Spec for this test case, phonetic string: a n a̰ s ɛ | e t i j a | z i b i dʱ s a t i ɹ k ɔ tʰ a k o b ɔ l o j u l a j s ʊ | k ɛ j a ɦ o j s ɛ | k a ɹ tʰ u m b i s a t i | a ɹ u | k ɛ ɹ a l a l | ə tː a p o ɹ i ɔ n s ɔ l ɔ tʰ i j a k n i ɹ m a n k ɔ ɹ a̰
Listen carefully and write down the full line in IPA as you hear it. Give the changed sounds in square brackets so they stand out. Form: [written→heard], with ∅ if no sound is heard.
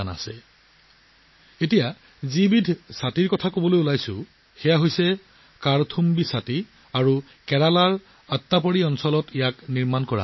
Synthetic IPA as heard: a n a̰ s ɛ | e t i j a | z i b i dʱ s a t i ɹ k ɔ tʰ a k o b ɔ l o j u l a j s ʊ | [k→x] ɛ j a ɦ o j s ɛ | k a ɹ tʰ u m b i s a t i | a ɹ u | k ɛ ɹ a l a [l→ɹ] | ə tː a p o ɹ i ɔ n s ɔ l ɔ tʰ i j a k n i ɹ m a n k ɔ ɹ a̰